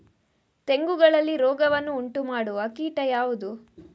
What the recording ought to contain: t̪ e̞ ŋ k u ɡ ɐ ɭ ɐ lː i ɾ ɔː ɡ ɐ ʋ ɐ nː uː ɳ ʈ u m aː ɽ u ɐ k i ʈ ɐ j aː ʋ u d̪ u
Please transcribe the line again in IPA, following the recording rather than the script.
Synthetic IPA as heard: t̪ e̞ ŋ ɡ u ɡ ɐ ɭ ɐ lː i ɾ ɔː ɡ ɐ ʋ ɐ nː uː ɳ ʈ u m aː ɽ u ɐ k iː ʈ ɐ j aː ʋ u d̪ u

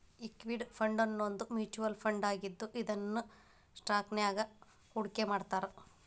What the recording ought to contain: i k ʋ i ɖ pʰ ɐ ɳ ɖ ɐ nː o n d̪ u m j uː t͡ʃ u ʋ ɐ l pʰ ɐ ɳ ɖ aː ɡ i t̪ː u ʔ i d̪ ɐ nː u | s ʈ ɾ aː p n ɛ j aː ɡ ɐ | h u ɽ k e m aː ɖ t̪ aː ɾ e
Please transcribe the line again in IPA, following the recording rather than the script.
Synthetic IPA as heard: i k ʋ i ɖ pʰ ɐ ɳ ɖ ɐ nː o n d̪ u m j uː t͡ʃ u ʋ ɐ l pʰ ɐ ɳ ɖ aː ɡ i d̪ː u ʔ i d̪ ɐ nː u | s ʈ ɾ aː k n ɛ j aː ɡ ɐ | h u ɽ k e m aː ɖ t̪ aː ɾ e

